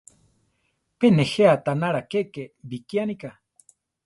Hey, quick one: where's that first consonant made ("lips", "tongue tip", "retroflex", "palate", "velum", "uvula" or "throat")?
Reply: lips